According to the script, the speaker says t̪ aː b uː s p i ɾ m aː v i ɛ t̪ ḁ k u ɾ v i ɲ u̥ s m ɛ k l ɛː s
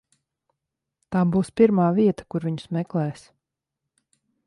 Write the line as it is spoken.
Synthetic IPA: t̪ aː b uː s p i ɾ m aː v i ɛ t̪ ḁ k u ɾ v i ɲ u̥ s m ɛ k l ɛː s